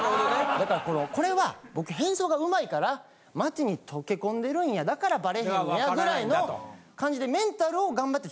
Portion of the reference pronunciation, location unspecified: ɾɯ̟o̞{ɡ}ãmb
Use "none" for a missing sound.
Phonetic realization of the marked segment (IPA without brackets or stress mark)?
ɡ